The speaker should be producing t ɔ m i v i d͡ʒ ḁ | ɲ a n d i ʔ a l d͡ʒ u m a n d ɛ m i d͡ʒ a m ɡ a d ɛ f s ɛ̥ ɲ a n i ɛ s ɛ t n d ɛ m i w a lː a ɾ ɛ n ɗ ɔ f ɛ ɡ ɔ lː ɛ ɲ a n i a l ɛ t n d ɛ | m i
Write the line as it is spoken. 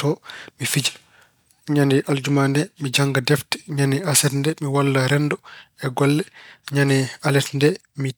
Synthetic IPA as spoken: t ɔ m i f i d͡ʒ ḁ | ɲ a n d i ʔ a l d͡ʒ u m a n d ɛ m i d͡ʒ a ŋ ɡ a d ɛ f t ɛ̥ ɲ a n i a s ɛ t n d ɛ m i w a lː a ɾ ɛ n d ɔ ɛ ɡ ɔ lː ɛ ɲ a n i a l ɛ t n d ɛ | m i